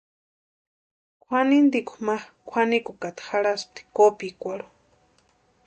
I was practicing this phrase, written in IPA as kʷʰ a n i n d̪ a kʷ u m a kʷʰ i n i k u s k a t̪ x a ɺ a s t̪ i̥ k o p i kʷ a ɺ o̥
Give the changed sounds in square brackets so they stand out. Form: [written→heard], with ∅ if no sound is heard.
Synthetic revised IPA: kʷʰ a n i n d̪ [a→i] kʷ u m a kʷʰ [i→a] n i k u [s→∅] k a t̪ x a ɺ a s t̪ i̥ k o p i kʷ a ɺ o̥